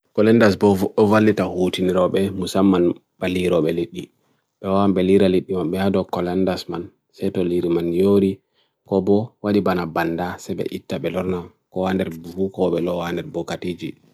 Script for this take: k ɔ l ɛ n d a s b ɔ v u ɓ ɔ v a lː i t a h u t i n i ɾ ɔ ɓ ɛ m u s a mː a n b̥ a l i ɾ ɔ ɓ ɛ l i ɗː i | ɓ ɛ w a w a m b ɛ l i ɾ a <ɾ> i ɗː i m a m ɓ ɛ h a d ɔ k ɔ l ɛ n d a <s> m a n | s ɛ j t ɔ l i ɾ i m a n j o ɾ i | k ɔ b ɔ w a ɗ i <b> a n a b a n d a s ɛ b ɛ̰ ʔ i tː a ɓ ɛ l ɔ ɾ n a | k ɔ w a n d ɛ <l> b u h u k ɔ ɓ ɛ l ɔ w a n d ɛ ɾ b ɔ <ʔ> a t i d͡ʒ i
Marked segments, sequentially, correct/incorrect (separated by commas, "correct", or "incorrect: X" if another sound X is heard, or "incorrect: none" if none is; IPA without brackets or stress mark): incorrect: l, correct, correct, incorrect: ɾ, incorrect: k